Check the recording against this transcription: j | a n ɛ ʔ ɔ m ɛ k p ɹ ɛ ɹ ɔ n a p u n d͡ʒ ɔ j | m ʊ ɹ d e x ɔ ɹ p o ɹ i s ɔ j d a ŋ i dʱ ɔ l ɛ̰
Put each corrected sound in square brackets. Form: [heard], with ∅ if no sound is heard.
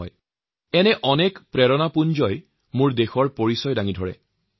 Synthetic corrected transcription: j | [ɛ] n ɛ ʔ ɔ [n] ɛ k p ɹ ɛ ɹ ɔ n a p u n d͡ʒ ɔ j | m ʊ ɹ d e x ɔ ɹ p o ɹ i s ɔ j d a ŋ i dʱ ɔ [ɹ] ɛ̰